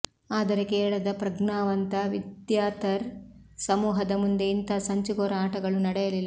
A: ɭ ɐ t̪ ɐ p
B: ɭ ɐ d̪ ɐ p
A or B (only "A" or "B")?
B